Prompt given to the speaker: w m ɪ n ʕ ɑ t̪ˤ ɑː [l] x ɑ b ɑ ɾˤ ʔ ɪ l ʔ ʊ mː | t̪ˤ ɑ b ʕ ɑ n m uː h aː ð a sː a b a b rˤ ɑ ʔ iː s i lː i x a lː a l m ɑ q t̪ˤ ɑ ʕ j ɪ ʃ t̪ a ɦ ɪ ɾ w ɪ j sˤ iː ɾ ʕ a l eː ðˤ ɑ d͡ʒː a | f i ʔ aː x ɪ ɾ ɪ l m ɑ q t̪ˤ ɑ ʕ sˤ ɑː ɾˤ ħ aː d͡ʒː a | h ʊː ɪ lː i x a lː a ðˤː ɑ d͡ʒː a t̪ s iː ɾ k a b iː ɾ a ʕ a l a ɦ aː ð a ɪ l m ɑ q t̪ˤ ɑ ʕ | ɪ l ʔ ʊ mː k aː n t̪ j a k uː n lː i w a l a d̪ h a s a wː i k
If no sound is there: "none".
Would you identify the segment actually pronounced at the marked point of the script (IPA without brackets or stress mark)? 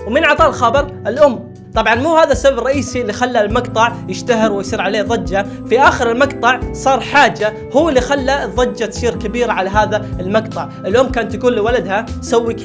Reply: l